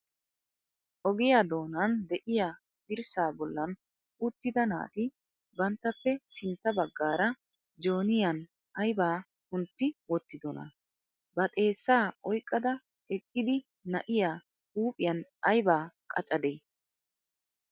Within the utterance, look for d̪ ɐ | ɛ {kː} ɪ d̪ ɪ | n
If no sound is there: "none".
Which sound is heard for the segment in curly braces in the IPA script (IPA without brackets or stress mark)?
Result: kʼː